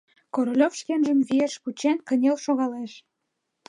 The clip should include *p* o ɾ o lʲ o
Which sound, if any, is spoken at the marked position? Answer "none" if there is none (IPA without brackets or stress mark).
k